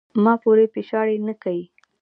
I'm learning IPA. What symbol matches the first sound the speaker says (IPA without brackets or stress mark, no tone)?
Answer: m